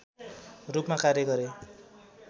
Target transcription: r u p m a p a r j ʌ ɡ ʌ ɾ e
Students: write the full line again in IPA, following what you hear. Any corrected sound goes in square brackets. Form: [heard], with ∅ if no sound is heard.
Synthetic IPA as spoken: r u p m a [k] a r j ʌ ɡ ʌ ɾ e